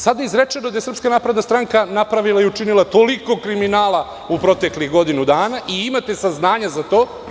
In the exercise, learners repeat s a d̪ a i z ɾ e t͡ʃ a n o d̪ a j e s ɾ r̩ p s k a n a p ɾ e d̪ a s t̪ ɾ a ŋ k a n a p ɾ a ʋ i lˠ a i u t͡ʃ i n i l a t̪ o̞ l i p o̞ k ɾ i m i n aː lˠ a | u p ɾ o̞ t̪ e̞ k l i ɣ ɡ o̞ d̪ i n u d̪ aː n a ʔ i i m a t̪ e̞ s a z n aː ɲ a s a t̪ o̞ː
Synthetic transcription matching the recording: s a d̪ a i z ɾ e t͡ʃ e n o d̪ a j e s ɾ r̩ p s k a n a p ɾ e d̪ a s t̪ ɾ a ŋ k a n a p ɾ a ʋ i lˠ a i u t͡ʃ i n i l a t̪ o̞ l i k o̞ k ɾ i m i n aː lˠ a | u p ɾ o̞ t̪ e̞ k l i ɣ ɡ o̞ d̪ i n u d̪ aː n a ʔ i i m a t̪ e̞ s a z n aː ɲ a z a t̪ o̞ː